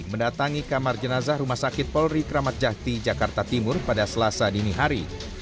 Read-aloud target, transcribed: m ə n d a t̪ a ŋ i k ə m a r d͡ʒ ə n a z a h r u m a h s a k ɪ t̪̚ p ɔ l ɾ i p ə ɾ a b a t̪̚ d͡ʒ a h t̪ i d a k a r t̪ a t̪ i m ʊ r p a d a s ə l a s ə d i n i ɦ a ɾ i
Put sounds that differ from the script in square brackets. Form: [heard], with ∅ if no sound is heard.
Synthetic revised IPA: m ə n d a t̪ a ŋ i k [a] m a r d͡ʒ ə n a z a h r u m a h s a k ɪ t̪̚ p ɔ l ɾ i [k] ə ɾ a [m] a t̪̚ d͡ʒ a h t̪ i [d͡ʒ] a k a r t̪ a t̪ i m ʊ r p a d a s ə l a s [a] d i n i ɦ a ɾ i